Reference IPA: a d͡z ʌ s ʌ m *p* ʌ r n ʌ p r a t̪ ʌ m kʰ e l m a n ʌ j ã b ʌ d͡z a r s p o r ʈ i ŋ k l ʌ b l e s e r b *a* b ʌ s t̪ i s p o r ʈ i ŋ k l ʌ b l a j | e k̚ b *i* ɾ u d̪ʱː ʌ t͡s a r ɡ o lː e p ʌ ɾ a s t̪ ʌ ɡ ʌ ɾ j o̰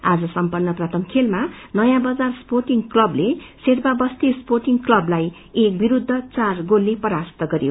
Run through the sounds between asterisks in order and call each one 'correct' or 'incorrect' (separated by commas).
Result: correct, correct, correct